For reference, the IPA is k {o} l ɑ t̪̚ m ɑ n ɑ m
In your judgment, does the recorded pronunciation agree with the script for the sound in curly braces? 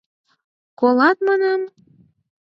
yes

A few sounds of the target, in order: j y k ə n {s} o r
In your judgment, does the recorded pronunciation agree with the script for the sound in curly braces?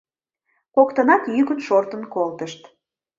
no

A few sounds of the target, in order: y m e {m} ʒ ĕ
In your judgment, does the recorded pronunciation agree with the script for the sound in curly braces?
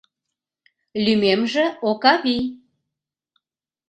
yes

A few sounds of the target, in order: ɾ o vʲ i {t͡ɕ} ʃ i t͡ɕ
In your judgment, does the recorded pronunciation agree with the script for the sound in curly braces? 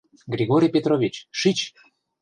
yes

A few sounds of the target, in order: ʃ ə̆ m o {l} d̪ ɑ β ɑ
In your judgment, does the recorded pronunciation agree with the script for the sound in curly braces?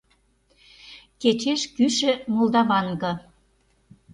yes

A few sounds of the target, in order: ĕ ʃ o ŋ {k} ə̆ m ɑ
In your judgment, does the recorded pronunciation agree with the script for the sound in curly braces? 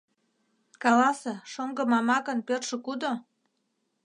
no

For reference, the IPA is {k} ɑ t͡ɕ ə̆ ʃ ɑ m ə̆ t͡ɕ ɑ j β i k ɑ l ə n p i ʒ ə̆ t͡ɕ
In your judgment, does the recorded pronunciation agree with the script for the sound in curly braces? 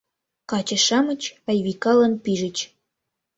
yes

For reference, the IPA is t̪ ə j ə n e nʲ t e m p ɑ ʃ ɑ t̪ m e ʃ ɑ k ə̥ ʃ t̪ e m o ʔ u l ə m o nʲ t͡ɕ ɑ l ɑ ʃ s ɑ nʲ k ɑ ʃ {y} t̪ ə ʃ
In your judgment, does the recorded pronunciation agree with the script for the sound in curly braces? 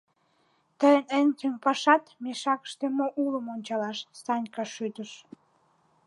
yes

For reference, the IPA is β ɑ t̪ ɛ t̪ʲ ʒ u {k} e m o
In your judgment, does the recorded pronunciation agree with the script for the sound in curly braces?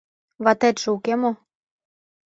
yes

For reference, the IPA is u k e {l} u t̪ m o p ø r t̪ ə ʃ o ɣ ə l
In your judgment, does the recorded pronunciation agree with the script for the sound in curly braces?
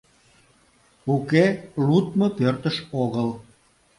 yes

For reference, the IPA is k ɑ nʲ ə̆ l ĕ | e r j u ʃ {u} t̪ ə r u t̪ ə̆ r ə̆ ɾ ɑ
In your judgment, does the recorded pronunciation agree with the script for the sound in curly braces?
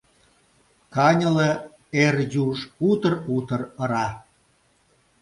yes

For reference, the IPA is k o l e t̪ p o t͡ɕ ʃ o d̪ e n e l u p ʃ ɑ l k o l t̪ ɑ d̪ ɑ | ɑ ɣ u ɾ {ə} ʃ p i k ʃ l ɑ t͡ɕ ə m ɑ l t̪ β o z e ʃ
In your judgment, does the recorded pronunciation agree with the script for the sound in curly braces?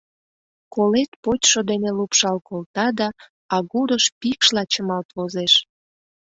yes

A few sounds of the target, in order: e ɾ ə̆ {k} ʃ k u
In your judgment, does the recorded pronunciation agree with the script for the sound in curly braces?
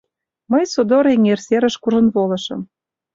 no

